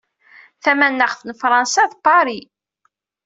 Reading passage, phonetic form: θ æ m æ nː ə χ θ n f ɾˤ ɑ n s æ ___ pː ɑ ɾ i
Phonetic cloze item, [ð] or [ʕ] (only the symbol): ð